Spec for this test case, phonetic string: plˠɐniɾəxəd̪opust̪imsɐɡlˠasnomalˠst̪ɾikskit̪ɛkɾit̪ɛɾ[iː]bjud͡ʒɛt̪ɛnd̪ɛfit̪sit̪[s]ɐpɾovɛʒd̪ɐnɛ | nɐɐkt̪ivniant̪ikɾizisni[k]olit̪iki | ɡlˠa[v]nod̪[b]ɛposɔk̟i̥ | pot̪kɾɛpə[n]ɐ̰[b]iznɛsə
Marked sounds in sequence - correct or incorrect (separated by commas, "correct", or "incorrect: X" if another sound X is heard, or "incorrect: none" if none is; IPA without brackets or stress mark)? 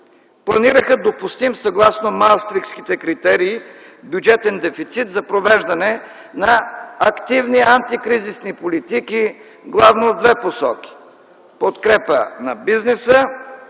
correct, incorrect: z, incorrect: p, correct, incorrect: v, correct, correct